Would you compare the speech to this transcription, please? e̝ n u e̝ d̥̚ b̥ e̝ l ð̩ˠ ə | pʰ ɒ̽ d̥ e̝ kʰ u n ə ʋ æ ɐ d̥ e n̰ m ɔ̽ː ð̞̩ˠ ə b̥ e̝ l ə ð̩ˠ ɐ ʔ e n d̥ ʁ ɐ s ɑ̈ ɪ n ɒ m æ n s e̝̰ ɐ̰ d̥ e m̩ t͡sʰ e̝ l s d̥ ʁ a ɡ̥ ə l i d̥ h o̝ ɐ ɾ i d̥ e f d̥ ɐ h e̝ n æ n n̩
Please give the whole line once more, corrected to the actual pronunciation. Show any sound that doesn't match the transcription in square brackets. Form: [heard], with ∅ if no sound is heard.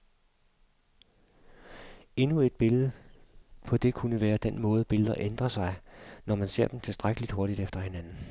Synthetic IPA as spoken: e̝ n u e̝ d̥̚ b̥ e̝ l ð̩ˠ ə | pʰ ɒ̽ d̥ e̝ kʰ u n ə ʋ [æː] ɐ d̥ e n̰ m ɔ̽ː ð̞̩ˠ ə b̥ e̝ l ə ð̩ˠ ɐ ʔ e n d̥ ʁ ɐ s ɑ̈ ɪ n ɒ m æ n s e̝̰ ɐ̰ d̥ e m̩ t͡sʰ e̝ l s d̥ ʁ a ɡ̥ ə l i d̥ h o̝ ɐ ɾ i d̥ e f d̥ ɐ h e̝ n æ n n̩